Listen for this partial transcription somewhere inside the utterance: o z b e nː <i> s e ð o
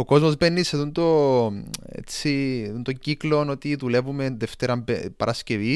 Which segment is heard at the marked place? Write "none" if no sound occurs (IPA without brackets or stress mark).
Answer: i